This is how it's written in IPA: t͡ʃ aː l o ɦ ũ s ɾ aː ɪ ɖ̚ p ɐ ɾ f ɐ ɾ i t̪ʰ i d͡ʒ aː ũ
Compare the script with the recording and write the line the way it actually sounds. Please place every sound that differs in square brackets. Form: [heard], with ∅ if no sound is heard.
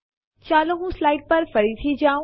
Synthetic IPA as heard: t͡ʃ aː l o ɦ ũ s [l] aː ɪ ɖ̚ p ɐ ɾ f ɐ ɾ i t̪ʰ i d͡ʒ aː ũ

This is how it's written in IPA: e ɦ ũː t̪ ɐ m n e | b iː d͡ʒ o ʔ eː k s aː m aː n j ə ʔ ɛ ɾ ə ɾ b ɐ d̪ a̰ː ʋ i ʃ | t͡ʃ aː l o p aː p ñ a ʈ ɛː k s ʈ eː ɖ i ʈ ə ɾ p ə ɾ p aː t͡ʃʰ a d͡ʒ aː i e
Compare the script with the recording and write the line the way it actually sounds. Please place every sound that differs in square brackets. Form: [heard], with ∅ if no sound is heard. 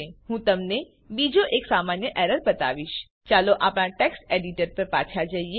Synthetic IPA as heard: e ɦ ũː t̪ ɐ m n e | b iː d͡ʒ o ʔ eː k s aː m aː n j ə ʔ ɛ ɾ ə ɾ b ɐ [t̪] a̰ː ʋ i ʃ | t͡ʃ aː l o [ʔ] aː p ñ a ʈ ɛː k s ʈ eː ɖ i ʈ ə ɾ p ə ɾ p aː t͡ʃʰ a d͡ʒ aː i e

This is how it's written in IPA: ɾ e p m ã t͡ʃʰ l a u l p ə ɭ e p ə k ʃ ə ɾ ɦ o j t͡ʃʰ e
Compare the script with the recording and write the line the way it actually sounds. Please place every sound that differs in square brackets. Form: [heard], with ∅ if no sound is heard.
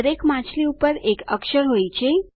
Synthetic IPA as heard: ɾ e [k] m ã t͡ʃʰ l [i] u [∅] p ə [ɾ] e [k] ə k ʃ ə ɾ ɦ o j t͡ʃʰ e

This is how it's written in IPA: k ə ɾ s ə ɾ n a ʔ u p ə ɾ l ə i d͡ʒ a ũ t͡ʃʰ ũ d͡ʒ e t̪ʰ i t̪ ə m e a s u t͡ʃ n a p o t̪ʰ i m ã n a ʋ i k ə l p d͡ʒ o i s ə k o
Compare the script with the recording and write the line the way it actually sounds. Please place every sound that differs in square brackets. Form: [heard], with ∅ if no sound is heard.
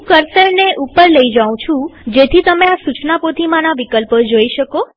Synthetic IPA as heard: k ə ɾ s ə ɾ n [e] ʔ u p ə ɾ l ə i d͡ʒ a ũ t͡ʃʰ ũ d͡ʒ e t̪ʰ i t̪ ə m e a s u t͡ʃ n a p o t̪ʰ i m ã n a ʋ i k ə l p d͡ʒ o i [ʃ] ə k o

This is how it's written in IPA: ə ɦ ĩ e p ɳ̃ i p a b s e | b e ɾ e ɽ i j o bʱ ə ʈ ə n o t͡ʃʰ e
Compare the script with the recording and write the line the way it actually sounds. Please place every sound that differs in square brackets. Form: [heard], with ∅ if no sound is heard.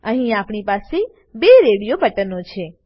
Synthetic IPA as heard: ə ɦ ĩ [a] p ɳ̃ i p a [∅] s e | b e ɾ e ɽ i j o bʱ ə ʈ ə n o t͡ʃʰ e

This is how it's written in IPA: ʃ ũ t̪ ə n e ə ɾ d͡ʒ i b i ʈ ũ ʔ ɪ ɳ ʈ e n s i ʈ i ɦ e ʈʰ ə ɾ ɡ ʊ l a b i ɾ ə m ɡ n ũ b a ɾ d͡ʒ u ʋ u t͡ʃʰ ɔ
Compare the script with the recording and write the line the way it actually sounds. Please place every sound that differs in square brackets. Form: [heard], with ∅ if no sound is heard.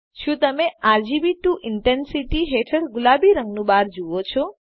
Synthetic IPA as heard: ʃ ũ t̪ ə [m] e [a] ɾ d͡ʒ i b i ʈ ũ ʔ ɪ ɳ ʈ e n s i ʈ i ɦ e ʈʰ ə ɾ ɡ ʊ l a b i ɾ ə [ŋ] ɡ n ũ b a ɾ d͡ʒ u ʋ [o] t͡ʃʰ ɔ

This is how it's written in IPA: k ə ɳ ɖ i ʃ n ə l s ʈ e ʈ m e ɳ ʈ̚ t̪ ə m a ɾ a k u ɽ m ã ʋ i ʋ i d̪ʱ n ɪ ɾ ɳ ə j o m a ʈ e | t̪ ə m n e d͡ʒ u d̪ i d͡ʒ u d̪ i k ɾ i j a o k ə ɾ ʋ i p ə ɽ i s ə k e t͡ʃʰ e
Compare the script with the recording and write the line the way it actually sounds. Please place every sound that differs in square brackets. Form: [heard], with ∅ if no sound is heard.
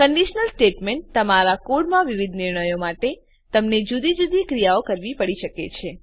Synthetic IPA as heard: k ə ɳ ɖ i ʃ n ə l s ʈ e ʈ m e ɳ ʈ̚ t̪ ə m a ɾ a k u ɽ m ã ʋ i ʋ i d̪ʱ n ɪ ɾ ɳ ə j o m a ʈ e | t̪ ə m n e d͡ʒ u d̪ i d͡ʒ u d̪ i k ɾ i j a o k ə ɾ ʋ i p ə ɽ i [ʃ] ə k e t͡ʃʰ e

